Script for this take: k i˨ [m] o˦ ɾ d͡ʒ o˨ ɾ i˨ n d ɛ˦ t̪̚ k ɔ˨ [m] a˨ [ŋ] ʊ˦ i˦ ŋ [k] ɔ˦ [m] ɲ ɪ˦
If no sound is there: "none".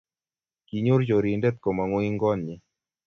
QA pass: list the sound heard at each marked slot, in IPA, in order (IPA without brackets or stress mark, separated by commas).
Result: ɲ, m, ŋ, ɡ, n